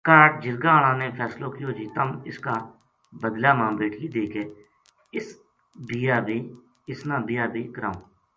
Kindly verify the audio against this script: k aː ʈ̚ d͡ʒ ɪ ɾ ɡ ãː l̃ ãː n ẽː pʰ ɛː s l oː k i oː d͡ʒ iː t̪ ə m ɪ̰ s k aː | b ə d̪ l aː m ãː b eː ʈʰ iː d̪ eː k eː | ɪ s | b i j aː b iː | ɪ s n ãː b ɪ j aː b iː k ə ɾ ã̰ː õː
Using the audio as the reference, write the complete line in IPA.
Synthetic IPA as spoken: k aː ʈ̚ d͡ʒ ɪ ɾ ɡ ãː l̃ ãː n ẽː pʰ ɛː s l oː k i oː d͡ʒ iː t̪ ə m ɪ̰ s k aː | b ə d̪ l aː m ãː b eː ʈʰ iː d̪ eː k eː | ɪ s | b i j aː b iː | ɪ s n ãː b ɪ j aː b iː k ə ɾ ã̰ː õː